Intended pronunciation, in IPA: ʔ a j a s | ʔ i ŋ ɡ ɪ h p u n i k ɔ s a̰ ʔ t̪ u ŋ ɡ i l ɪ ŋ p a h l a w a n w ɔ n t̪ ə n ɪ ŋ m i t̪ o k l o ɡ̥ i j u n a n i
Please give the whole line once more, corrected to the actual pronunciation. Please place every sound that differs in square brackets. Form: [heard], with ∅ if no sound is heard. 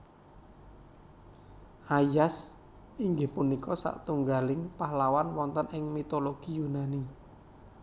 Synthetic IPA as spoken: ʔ a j a s | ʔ i ŋ ɡ ɪ h p u n i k ɔ s a̰ ʔ t̪ u ŋ ɡ [a] l ɪ ŋ p a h l a w a n w ɔ n t̪ ə n ɪ ŋ m i t̪ o [∅] l o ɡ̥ i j u n a n i